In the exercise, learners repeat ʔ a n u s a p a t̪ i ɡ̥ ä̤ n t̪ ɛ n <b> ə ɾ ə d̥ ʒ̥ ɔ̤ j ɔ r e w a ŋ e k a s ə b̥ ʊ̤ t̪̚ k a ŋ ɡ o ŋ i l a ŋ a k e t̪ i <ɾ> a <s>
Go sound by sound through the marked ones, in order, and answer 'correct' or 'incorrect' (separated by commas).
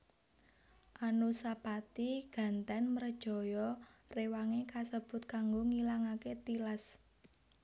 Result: incorrect, incorrect, correct